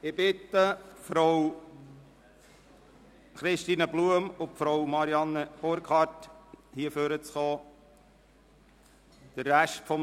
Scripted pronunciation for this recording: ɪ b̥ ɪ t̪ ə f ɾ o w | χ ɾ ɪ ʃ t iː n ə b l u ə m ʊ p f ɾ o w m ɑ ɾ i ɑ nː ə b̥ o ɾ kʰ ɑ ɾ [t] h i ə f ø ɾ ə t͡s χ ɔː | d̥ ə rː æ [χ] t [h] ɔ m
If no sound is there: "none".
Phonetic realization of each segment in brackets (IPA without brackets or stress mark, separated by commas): t, ʃ, f